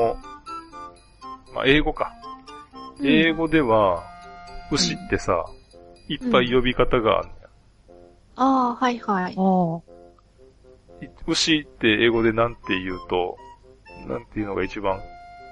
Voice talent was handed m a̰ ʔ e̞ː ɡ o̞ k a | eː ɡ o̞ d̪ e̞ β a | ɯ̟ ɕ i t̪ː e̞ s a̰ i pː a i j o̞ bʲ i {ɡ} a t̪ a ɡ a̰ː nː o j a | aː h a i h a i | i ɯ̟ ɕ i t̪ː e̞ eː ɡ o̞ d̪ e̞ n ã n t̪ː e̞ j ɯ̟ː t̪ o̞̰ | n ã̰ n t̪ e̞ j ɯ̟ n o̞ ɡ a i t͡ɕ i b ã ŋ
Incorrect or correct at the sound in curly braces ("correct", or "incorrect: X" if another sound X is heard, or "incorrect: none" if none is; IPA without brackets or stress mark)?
incorrect: k